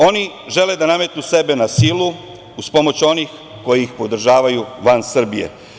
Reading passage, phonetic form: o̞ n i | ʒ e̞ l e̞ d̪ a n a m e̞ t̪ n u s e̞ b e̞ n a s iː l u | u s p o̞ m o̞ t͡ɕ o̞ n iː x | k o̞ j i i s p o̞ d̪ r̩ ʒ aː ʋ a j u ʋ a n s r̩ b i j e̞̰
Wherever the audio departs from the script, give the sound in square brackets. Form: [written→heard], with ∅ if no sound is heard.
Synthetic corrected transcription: o̞ n i | ʒ e̞ l e̞ d̪ a n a m e̞ t̪ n u s e̞ b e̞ n a s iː l u | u s p o̞ m o̞ t͡ɕ o̞ n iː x | k o̞ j i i [s→x] p o̞ d̪ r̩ ʒ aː ʋ a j u ʋ a n s r̩ b i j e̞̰